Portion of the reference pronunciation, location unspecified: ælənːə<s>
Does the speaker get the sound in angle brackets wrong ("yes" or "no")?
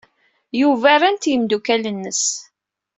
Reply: no